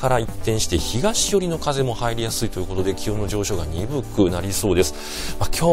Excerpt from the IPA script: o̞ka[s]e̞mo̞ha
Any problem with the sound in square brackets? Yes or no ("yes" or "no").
yes